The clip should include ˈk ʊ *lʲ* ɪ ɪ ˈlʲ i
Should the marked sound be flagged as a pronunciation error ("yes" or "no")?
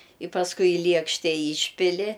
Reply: yes